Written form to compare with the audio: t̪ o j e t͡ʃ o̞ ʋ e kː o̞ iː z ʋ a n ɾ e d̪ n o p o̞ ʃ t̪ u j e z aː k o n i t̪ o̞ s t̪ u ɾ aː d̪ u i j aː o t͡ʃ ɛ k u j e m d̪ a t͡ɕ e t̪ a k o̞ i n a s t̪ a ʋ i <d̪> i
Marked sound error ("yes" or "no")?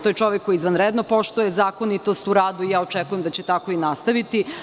yes